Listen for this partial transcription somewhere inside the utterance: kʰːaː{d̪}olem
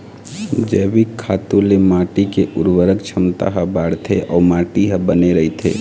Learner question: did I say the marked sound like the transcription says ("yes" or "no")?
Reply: no